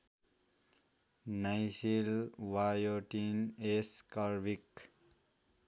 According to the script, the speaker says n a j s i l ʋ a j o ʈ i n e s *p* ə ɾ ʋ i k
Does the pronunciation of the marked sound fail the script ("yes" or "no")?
yes